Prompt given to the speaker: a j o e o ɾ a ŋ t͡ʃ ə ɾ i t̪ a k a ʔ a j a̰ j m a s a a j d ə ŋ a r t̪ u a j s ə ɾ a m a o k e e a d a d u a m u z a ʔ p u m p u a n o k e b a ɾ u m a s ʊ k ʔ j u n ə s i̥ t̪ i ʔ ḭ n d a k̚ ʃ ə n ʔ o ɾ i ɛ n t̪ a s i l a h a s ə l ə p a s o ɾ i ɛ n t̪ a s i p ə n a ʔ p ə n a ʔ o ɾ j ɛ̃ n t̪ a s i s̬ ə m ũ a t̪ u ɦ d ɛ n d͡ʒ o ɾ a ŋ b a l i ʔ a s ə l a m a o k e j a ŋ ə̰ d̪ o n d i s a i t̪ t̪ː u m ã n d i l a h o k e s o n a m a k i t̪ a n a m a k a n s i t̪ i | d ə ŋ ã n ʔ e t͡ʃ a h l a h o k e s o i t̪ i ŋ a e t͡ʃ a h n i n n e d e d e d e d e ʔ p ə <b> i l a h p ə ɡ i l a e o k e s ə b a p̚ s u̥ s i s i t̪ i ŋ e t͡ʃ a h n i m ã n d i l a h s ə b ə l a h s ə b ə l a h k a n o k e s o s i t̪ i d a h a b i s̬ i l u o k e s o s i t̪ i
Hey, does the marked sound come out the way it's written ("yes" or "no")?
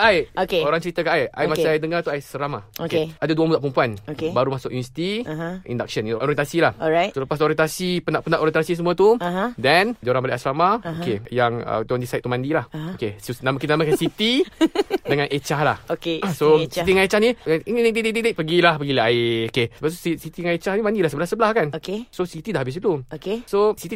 no